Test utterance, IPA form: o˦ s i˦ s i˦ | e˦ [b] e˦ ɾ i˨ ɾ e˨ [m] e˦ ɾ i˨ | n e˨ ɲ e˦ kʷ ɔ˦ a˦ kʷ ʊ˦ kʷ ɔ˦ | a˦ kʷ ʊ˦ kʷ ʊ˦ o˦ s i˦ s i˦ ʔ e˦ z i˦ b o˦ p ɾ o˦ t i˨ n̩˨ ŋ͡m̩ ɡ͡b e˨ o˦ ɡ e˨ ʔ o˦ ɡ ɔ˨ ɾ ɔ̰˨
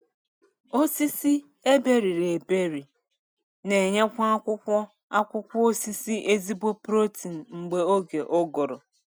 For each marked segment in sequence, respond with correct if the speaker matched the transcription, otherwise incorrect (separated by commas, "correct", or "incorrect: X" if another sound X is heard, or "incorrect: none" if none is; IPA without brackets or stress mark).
correct, incorrect: b